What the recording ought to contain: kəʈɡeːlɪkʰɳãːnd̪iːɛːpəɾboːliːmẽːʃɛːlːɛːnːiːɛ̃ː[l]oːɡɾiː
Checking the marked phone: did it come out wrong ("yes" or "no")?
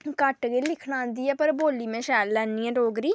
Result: yes